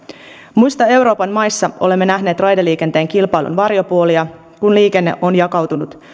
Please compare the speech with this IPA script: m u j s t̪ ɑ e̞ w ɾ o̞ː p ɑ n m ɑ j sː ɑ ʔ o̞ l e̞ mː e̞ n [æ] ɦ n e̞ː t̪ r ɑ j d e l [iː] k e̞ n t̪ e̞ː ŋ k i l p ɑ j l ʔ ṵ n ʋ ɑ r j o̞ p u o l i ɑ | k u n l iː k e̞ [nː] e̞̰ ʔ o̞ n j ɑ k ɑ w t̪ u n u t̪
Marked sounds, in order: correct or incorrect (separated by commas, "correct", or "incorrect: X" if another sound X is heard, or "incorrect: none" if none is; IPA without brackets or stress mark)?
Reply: correct, correct, correct